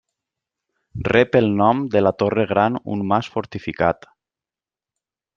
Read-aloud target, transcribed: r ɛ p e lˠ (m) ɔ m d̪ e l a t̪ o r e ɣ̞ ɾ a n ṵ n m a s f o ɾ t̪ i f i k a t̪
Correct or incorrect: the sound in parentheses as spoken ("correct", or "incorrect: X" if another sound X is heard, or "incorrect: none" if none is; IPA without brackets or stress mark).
incorrect: n